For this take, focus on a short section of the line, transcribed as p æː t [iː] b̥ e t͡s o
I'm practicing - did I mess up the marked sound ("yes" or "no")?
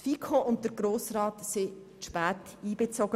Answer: no